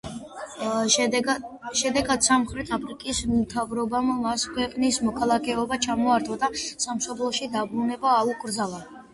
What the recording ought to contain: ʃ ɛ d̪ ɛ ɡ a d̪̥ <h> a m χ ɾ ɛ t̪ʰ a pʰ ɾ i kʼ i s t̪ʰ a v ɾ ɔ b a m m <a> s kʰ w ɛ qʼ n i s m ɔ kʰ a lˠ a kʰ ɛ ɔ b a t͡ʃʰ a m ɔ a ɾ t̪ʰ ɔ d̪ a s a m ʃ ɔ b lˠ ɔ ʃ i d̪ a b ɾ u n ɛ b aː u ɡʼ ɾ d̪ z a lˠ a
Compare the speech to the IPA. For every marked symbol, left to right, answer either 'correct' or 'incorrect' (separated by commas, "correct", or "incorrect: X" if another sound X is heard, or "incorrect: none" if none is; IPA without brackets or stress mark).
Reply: incorrect: s, correct